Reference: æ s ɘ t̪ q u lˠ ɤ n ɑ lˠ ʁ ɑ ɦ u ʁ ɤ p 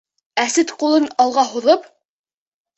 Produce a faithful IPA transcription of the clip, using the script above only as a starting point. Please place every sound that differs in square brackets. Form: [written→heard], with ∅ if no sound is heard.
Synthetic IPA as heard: æ s ɘ t̪ q u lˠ ɤ n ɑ lˠ ʁ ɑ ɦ u [ʁ→ð] ɤ p